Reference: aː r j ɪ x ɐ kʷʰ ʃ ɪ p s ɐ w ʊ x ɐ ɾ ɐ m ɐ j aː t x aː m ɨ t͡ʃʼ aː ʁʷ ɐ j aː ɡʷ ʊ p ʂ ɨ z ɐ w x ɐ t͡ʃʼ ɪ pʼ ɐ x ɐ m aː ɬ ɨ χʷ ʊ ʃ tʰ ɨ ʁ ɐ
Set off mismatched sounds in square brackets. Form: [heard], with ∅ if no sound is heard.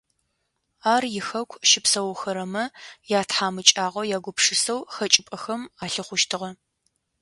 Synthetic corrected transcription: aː r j ɪ x ɐ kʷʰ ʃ ɪ p s ɐ w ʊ x ɐ ɾ ɐ m ɐ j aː t [ħ] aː m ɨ t͡ʃʼ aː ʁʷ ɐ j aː ɡʷ ʊ p ʂ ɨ [s] ɐ w x ɐ t͡ʃʼ ɪ pʼ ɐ x ɐ m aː ɬ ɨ χʷ ʊ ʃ tʰ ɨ ʁ ɐ